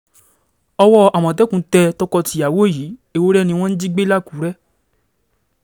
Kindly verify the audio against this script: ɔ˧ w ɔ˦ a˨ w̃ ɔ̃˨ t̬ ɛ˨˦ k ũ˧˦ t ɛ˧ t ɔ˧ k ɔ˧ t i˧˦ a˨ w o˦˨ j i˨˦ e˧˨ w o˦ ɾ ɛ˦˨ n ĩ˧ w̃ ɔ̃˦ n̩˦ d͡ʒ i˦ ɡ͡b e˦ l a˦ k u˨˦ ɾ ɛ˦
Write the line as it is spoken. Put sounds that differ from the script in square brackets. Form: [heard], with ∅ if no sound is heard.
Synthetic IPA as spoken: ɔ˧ w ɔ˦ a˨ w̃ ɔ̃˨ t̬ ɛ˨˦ k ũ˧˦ t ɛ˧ t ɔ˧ k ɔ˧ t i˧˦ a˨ w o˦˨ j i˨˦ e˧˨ w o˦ ɾ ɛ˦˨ n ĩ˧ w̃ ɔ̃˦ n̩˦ d͡ʒ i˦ ɡ͡b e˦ l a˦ k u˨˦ ɾ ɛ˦